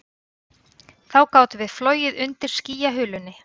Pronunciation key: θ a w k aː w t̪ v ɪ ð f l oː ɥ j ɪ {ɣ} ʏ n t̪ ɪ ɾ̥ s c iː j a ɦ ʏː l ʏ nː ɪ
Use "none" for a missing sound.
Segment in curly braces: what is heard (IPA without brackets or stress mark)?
ð